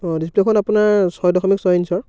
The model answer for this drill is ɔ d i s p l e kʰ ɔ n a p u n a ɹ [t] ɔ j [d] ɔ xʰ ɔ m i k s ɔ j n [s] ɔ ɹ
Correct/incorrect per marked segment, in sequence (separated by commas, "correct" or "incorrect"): incorrect, correct, correct